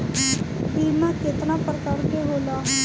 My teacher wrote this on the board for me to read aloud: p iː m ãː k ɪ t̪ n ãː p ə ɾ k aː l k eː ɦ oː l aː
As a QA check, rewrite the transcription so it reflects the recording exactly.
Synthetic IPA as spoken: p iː m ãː k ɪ t̪ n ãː p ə ɾ k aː ɾ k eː ɦ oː l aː